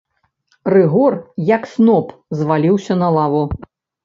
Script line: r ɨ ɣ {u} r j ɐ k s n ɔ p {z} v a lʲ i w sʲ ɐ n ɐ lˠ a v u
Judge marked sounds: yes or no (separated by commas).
no, yes